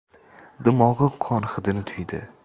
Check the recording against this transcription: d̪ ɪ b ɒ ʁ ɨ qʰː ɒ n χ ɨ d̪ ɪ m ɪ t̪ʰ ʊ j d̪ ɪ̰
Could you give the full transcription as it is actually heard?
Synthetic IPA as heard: d̪ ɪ m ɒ ʁ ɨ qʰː ɒ n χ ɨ d̪ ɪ n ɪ t̪ʰ ʊ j d̪ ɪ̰